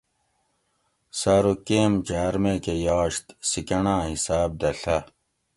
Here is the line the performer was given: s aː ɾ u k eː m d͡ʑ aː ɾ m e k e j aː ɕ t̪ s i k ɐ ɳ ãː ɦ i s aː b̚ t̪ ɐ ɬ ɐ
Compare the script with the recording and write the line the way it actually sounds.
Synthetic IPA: s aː ɾ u k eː m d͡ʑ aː ɾ m e k e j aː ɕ t̪ s i k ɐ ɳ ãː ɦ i s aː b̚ d̪ ɐ ɬ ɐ